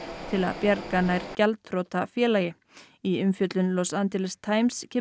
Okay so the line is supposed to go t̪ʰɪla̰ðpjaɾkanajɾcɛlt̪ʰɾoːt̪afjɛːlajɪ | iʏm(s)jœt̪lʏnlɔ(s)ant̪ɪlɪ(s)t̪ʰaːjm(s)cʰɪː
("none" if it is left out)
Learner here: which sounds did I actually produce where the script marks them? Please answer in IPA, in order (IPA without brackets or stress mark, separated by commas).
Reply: f, s, s, s